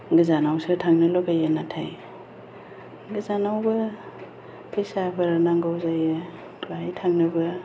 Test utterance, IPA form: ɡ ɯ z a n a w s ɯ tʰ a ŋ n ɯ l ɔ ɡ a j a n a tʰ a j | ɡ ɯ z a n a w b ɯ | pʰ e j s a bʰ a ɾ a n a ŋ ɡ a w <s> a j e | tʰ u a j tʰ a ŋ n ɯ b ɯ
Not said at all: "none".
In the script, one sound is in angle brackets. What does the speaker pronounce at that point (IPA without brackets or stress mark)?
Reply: z